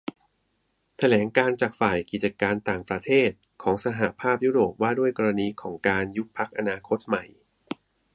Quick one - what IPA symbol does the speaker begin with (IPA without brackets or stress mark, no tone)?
t̪ʰ